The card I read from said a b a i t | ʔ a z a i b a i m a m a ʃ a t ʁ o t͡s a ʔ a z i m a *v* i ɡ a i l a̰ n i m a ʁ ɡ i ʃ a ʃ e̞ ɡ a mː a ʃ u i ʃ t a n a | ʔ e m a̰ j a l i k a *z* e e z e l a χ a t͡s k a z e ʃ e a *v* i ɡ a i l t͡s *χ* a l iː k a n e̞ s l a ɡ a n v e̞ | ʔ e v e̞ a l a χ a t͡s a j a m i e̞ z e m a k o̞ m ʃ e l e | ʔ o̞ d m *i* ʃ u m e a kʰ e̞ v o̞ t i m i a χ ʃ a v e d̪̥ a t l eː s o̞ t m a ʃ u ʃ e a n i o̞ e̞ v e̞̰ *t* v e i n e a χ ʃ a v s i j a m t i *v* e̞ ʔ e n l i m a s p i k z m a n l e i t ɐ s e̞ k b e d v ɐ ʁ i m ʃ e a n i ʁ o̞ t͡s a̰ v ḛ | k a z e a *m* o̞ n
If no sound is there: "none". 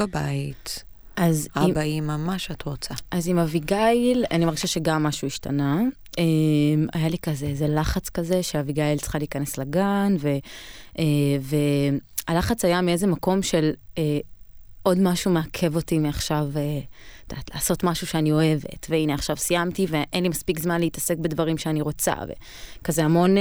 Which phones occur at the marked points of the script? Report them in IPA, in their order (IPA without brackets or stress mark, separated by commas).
v, z, v, χ, a, t, v, m